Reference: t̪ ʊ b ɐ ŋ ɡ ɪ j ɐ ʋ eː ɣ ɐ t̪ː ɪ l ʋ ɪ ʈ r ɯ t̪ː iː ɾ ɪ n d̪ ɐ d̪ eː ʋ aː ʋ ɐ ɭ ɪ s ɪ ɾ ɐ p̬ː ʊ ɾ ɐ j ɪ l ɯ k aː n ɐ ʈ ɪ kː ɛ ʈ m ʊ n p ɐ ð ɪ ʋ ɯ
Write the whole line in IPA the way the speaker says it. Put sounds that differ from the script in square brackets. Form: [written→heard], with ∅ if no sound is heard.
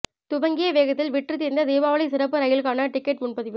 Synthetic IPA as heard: t̪ ʊ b ɐ ŋ ɡ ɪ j ɐ ʋ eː ɣ ɐ t̪ː ɪ l ʋ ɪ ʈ r ɯ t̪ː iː ɾ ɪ n d̪ ɐ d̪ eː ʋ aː ʋ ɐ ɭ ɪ s ɪ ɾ ɐ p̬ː [ʊ→ɯ] ɾ ɐ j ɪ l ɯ k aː n ɐ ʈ ɪ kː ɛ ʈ m ʊ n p ɐ ð ɪ ʋ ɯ